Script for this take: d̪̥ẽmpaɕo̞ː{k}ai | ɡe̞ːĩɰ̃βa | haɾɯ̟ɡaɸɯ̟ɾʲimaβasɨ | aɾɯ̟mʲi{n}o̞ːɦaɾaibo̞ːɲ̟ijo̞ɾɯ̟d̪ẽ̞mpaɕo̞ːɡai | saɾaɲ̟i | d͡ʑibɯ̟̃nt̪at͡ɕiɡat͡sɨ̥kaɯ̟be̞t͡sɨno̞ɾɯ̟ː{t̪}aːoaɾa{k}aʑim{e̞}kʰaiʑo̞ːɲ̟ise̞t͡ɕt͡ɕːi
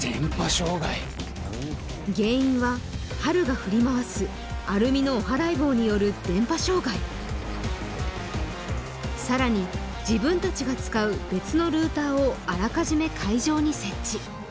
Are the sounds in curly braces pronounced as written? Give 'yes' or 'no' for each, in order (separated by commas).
no, yes, yes, yes, yes